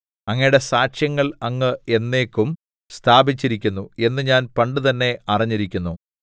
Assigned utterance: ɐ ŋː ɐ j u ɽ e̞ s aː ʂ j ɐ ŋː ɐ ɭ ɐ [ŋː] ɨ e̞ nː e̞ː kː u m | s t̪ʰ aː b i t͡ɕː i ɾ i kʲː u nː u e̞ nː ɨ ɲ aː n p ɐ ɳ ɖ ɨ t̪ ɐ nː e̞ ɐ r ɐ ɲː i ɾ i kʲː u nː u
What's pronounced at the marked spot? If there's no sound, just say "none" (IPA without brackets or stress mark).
ŋː